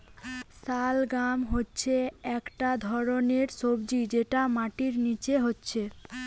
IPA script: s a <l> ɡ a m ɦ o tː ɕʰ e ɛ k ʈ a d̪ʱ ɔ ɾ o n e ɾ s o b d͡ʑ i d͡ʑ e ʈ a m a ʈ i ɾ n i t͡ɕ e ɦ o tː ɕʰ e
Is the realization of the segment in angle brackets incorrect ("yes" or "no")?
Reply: no